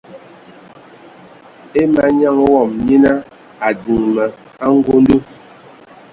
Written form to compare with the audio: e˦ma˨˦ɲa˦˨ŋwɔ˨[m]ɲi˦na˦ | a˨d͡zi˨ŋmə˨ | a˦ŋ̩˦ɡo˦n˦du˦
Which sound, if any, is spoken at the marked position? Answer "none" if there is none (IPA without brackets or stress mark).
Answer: m